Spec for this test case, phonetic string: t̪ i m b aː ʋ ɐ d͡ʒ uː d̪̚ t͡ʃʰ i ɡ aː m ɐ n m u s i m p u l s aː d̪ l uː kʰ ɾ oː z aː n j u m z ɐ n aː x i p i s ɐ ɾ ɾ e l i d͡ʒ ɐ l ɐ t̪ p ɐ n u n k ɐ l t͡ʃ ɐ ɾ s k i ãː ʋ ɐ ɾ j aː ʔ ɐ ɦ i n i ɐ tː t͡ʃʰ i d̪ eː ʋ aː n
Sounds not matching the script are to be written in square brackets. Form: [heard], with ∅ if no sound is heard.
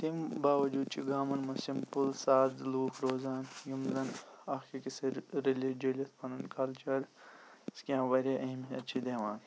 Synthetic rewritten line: t̪ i m b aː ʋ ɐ d͡ʒ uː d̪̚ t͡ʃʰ i ɡ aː m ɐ n m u s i m p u l s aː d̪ l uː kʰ ɾ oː z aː n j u m z ɐ n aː x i [k] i s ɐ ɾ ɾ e l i d͡ʒ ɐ l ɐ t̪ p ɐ n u n k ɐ l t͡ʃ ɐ ɾ s k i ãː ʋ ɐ ɾ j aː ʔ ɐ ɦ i [m] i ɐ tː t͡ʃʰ i d̪ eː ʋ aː n